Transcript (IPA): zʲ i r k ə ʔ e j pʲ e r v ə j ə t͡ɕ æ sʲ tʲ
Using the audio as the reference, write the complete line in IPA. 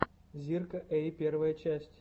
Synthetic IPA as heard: zʲ i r k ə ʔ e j pʲ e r v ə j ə t͡ɕ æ sʲ tʲ